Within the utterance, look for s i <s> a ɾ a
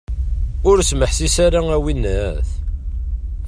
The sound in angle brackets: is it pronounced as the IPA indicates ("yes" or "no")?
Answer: yes